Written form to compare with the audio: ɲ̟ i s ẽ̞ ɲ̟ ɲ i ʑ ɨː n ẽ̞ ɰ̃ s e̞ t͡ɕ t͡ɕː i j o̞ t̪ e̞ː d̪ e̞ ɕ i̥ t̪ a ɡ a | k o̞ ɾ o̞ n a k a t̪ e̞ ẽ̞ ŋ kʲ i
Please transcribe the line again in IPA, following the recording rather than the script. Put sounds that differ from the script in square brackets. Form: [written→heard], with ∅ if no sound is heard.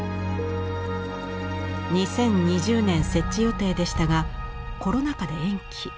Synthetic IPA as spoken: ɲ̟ i s ẽ̞ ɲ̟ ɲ i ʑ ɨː n ẽ̞ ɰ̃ s e̞ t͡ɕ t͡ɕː i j o̞ t̪ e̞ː d̪ e̞ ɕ i̥ t̪ a ɡ a | k o̞ ɾ o̞ n a k a [t̪→d̪] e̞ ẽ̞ ŋ kʲ i